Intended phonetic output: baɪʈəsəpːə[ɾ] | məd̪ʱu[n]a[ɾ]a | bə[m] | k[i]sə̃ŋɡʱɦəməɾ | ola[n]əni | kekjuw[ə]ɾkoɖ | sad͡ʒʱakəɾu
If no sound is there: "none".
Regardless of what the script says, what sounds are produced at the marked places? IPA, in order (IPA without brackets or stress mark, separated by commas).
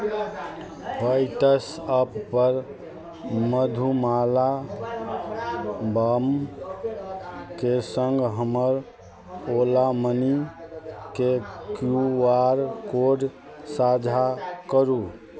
ɾ, m, l, m, e, m, a